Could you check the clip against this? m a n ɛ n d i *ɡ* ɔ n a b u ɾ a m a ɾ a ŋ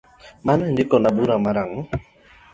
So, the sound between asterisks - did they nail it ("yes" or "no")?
no